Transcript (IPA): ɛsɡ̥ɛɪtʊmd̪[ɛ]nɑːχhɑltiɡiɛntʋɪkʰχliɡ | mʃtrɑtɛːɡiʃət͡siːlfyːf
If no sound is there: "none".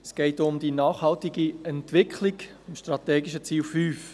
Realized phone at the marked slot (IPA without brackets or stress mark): i